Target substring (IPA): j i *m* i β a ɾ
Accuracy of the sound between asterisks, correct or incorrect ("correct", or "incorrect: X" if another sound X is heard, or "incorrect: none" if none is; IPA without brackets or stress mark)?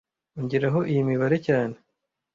correct